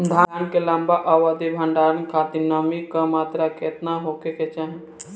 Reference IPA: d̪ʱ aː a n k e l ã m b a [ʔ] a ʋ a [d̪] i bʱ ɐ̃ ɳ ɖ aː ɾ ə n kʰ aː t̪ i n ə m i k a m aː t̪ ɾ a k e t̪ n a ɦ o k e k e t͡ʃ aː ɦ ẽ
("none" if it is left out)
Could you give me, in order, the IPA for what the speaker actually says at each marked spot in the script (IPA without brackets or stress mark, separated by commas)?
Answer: ʔ, d̪